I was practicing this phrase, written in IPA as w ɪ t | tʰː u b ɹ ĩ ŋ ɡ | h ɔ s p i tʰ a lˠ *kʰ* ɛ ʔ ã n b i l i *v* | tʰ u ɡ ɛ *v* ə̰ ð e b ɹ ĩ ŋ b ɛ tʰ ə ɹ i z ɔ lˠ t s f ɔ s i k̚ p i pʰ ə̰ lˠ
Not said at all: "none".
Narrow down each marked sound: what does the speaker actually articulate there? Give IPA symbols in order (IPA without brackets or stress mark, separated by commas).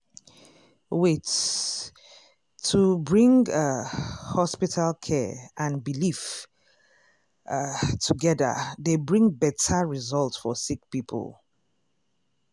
kʰ, f, ð